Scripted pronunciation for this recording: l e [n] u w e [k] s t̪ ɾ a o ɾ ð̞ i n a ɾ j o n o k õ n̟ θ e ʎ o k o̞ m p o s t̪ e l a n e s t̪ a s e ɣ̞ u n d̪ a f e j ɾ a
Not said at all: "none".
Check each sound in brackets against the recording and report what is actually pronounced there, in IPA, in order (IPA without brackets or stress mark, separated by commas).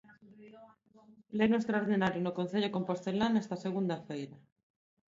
n, none